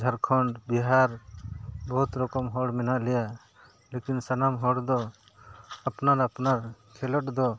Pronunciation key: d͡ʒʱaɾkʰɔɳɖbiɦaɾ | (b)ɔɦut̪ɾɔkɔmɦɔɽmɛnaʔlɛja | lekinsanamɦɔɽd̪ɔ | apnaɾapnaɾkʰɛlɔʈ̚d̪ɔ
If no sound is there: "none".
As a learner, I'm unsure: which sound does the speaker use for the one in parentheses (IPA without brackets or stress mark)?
b